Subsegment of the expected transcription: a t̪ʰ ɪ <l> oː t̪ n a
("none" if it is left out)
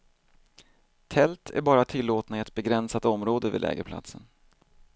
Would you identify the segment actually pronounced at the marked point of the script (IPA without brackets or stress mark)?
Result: lː